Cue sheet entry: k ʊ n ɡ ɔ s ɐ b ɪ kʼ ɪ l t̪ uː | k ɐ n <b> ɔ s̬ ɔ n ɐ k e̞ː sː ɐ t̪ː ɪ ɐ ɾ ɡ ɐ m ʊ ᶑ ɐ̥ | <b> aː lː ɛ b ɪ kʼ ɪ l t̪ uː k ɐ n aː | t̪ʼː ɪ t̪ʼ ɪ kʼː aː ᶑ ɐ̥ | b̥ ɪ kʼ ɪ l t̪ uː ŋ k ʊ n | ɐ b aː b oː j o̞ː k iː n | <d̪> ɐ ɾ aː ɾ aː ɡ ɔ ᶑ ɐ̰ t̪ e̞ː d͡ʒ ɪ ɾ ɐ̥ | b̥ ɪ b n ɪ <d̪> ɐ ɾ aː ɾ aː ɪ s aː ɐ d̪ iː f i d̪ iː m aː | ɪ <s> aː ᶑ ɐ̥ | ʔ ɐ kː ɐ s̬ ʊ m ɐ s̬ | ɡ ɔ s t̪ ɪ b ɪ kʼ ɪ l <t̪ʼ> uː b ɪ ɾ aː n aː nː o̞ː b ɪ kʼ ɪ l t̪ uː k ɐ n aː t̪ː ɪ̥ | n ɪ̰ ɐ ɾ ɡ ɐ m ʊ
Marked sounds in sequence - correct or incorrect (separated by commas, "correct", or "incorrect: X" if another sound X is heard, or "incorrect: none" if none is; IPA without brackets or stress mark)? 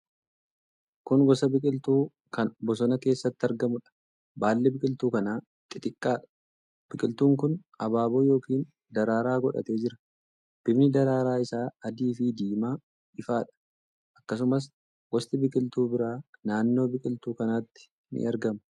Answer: correct, correct, correct, correct, incorrect: f, incorrect: t̪